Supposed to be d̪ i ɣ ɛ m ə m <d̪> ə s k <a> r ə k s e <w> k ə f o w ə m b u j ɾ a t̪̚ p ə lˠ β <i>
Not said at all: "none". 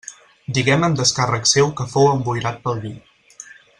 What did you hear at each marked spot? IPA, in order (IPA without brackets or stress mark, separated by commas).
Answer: d̪, a, w, i